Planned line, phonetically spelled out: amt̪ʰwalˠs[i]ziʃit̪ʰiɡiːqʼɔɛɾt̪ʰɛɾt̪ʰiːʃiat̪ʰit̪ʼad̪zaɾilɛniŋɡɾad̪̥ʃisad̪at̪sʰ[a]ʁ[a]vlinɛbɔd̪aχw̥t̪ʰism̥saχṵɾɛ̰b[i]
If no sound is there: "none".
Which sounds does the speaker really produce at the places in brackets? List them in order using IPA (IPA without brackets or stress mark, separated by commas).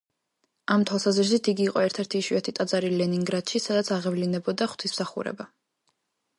a, a, ɛ, a